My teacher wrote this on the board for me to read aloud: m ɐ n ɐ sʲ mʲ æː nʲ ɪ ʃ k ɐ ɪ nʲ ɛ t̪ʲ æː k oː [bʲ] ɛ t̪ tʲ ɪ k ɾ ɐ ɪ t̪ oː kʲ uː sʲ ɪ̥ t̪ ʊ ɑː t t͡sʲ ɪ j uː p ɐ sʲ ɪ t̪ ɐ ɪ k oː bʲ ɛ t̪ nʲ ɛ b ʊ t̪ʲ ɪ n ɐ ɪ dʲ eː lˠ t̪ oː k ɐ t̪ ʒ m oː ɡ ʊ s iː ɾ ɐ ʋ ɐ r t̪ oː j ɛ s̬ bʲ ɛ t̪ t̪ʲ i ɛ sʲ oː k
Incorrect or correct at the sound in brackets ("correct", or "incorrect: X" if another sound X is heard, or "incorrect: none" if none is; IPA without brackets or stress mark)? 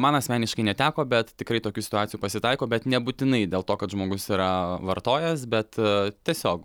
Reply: correct